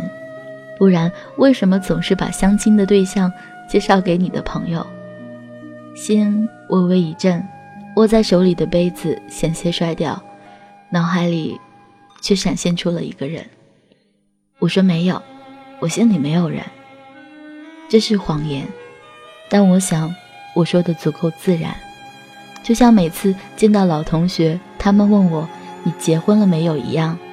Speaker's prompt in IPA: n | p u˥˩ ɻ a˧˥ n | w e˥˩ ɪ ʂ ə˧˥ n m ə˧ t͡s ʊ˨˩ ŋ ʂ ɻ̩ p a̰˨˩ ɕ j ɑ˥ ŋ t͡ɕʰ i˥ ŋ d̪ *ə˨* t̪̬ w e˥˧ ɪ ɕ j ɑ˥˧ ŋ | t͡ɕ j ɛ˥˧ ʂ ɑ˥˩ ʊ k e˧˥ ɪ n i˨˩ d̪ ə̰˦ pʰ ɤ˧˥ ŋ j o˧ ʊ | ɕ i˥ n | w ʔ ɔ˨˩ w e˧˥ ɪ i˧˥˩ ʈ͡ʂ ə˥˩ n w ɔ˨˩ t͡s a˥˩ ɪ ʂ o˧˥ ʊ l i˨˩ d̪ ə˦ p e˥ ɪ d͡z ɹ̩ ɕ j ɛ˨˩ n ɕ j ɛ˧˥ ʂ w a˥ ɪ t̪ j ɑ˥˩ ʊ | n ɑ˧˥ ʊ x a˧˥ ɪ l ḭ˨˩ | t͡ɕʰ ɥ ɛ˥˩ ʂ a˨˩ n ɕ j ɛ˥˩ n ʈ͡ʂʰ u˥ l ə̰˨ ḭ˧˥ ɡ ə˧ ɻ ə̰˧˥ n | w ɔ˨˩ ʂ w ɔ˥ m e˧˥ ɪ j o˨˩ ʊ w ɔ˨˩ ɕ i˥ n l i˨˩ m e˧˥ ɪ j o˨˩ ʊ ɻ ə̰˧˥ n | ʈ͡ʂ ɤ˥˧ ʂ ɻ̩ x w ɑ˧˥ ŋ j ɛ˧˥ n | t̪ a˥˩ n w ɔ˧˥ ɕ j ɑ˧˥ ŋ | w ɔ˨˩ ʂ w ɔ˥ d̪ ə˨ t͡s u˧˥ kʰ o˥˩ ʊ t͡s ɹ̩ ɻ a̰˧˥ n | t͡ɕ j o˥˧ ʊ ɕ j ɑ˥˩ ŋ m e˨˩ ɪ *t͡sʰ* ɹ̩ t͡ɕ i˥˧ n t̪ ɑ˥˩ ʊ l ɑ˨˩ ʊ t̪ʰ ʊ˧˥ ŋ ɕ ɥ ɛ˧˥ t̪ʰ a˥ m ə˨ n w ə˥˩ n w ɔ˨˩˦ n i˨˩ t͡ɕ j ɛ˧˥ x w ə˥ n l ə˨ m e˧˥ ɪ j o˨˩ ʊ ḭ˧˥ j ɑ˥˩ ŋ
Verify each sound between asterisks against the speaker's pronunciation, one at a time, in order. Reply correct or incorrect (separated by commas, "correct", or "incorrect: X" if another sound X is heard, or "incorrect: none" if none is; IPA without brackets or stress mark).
correct, correct